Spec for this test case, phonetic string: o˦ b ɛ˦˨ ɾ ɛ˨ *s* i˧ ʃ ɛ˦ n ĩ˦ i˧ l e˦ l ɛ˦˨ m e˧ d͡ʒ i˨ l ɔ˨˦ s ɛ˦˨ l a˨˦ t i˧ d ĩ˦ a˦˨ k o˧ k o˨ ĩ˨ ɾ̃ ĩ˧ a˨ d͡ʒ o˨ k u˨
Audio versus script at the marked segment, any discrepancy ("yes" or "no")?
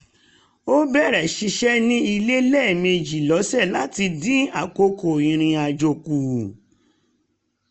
yes